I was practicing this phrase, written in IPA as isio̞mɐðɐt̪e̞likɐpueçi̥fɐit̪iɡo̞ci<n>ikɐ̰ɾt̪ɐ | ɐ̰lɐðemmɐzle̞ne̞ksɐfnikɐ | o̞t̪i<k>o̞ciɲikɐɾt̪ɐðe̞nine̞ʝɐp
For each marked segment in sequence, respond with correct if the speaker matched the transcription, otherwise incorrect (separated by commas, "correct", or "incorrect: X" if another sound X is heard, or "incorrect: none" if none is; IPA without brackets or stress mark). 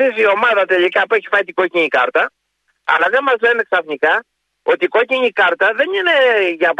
incorrect: ɲ, correct